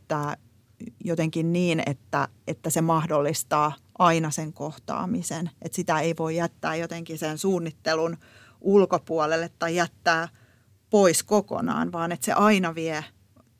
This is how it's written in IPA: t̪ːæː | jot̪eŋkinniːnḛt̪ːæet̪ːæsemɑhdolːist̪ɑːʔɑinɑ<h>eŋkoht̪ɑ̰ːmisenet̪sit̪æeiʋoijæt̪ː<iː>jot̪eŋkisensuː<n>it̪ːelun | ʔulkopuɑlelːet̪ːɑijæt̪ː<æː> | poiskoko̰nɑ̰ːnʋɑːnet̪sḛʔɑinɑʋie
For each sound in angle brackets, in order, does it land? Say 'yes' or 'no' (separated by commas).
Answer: no, no, no, yes